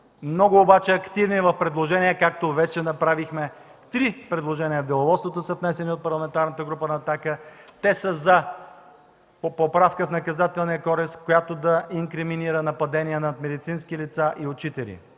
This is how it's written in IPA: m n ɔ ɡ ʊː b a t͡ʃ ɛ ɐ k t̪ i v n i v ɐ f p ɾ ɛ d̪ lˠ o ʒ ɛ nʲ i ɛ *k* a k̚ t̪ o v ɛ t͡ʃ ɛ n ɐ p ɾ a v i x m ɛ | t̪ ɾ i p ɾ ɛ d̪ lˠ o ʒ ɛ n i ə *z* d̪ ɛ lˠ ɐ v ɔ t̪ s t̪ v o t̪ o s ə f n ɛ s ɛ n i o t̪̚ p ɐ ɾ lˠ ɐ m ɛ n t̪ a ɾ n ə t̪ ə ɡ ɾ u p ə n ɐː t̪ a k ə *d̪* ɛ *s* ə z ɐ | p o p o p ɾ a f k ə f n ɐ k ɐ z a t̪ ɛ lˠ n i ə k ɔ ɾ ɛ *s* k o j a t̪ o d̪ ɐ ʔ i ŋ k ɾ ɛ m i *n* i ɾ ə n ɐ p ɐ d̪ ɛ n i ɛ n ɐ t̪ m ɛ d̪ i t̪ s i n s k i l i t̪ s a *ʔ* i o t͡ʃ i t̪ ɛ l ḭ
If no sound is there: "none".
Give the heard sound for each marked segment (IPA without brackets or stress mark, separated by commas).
k, v, t̪, s, s, n, ʔ